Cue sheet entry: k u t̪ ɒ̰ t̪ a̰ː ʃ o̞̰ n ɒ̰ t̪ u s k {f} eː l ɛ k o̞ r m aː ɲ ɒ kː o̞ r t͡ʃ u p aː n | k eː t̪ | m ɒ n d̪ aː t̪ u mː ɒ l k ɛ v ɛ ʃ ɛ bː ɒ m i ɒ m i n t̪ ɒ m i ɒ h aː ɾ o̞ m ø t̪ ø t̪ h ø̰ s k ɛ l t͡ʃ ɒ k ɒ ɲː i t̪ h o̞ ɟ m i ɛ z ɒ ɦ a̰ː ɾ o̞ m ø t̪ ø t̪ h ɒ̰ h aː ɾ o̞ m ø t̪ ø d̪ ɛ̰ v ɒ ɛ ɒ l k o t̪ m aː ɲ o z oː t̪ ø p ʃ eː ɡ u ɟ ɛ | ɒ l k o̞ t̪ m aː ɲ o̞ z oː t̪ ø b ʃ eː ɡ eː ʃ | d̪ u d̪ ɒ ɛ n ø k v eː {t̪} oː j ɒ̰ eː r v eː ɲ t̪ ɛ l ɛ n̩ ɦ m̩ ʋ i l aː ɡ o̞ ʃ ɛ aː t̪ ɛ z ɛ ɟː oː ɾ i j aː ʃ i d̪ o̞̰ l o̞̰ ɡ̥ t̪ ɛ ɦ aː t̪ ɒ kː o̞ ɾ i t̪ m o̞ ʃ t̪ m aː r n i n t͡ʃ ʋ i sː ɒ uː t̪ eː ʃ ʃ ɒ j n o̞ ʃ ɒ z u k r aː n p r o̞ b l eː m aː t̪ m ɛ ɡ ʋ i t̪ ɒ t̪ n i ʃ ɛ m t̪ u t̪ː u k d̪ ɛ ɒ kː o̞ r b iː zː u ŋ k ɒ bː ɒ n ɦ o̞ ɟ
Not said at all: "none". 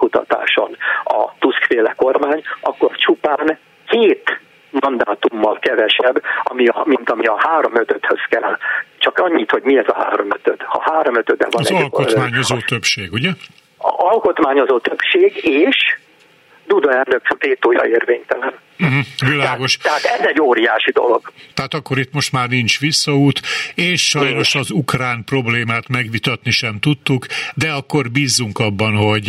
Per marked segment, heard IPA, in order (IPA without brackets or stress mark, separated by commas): f, t̪